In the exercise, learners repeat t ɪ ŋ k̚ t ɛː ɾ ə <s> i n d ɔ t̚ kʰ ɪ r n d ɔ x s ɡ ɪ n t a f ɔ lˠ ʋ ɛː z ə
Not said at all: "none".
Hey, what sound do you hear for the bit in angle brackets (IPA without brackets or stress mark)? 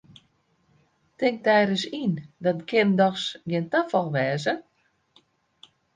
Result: s